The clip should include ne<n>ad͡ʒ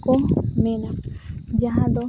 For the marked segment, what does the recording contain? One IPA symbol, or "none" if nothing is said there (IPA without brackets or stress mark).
n